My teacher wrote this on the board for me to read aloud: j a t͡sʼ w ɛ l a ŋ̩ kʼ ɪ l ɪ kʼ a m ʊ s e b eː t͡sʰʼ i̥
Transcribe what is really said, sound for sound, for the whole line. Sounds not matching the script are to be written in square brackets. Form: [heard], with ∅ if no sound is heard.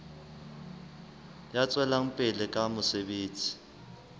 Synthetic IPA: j a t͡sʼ w ɛ l a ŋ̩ [pʼ] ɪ l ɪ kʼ a m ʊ s e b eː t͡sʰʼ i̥